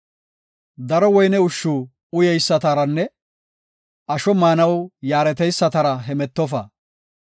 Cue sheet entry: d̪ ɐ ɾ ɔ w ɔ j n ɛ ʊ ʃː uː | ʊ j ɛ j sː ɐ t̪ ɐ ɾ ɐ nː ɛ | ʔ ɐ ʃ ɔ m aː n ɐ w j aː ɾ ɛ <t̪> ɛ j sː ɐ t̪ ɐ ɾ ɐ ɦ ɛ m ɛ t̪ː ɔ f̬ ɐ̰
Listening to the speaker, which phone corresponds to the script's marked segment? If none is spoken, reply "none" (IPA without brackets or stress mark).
t̪